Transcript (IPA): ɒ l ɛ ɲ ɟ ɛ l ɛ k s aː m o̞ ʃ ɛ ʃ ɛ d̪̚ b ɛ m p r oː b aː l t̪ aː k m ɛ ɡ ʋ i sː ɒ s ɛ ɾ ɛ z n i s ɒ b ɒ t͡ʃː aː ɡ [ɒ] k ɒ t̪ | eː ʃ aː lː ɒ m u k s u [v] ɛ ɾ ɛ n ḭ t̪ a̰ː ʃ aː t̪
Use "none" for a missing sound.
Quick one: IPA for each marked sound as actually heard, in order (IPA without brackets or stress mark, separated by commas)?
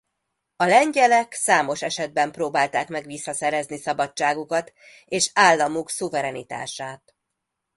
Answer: u, v